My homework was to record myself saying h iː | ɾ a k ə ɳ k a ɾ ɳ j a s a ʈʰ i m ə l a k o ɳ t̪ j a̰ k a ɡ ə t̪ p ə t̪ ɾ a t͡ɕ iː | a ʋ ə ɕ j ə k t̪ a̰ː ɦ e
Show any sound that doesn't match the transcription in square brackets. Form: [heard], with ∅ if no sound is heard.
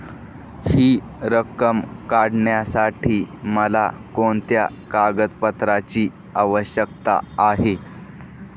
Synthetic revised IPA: h iː | ɾ [ə] k ə [m] k a [ɽ] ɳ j a s a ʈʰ [iː] m ə l a k o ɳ t̪ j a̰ k a ɡ ə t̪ p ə t̪ ɾ a t͡ɕ iː | a ʋ ə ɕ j ə k t̪ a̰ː ɦ e